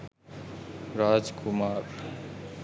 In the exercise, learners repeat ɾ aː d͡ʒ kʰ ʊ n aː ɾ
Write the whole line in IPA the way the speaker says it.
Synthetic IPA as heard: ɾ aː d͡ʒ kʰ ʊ m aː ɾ